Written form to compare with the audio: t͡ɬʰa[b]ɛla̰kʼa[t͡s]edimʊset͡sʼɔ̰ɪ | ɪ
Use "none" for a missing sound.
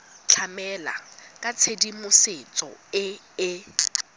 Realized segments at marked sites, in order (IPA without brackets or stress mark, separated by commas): m, t͡sʰ